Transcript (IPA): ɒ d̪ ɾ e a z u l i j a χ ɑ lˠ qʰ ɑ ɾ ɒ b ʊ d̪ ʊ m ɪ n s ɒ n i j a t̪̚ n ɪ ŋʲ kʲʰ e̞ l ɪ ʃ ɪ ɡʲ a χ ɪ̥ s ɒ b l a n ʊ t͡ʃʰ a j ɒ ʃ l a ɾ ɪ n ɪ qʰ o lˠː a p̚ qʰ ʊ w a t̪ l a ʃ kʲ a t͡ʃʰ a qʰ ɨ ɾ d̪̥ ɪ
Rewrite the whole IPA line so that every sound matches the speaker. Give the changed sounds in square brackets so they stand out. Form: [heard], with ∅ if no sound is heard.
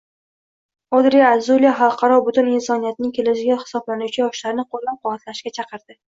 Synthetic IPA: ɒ d̪ ɾ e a z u l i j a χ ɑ lˠ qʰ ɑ ɾ ɒ b ʊ [t̪] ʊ [n] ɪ n s ɒ n i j a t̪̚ n ɪ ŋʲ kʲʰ e̞ l ɪ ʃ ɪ ɡʲ a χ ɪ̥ s ɒ b l a n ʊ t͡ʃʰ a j ɒ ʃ l a ɾ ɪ n ɪ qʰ o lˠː a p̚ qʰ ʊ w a t̪ l a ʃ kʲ a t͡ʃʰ [ɑ] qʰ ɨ ɾ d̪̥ ɪ